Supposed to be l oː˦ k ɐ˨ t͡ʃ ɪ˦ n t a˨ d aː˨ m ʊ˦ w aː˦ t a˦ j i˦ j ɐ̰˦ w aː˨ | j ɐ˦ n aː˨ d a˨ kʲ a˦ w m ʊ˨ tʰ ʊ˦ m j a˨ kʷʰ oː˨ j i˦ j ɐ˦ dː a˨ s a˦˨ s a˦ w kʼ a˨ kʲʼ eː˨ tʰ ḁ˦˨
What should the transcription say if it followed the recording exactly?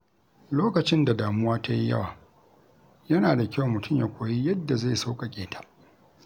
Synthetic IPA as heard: l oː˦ k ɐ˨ t͡ʃ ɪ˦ n d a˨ d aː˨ m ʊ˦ w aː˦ t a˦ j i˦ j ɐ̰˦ w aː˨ | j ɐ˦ n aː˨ d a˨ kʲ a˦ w m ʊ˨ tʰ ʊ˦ m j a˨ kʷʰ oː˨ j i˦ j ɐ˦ dː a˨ z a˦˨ s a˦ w kʼ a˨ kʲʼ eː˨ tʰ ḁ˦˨